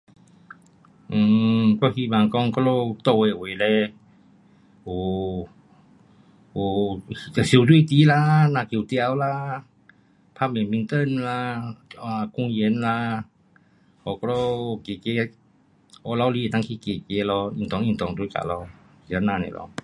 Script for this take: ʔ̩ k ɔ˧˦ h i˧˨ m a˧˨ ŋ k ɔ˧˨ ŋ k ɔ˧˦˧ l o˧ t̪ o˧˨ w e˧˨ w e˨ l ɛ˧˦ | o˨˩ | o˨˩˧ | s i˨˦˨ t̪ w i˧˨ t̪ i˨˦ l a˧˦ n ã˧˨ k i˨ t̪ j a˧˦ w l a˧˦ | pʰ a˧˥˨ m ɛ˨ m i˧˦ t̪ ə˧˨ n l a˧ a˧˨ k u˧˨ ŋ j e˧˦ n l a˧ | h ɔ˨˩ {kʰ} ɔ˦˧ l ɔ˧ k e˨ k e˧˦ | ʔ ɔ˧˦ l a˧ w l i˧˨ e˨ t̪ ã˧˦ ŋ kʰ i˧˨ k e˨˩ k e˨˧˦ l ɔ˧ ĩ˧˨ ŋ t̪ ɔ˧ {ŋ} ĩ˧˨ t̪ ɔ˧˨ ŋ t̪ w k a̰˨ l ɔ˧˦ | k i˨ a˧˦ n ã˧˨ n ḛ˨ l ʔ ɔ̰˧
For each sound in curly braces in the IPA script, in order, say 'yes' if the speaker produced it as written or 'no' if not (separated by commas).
no, yes